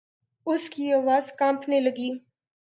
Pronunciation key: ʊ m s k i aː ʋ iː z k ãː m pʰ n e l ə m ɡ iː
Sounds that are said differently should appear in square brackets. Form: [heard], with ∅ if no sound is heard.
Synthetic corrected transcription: ʊ [∅] s k i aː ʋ [aː] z k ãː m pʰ n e l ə [∅] ɡ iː